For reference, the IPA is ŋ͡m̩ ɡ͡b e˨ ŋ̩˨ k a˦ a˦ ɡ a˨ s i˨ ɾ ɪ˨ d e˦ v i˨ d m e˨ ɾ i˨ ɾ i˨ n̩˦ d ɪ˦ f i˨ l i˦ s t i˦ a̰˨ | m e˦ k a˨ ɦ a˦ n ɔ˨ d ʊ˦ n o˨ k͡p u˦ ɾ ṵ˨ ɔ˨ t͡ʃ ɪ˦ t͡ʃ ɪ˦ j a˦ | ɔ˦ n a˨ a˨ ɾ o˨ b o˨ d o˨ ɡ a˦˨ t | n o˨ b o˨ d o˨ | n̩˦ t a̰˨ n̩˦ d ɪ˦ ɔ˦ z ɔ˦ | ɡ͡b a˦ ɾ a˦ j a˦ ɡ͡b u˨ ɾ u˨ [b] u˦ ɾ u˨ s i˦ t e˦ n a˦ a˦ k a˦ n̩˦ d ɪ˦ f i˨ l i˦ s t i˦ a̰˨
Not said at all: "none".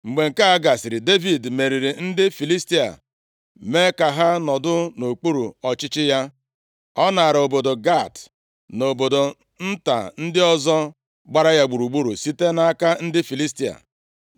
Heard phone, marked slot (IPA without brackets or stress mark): ɡ͡b